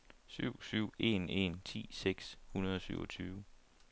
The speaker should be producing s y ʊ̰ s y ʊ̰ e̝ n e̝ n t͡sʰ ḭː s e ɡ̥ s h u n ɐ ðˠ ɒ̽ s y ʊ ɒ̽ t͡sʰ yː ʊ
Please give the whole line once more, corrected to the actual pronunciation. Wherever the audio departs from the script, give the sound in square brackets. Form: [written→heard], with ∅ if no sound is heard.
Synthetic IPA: s y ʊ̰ s y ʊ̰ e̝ n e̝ n t͡sʰ ḭː s e ɡ̥ s h u n ɐ ðˠ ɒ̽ s y ʊ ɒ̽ t͡sʰ yː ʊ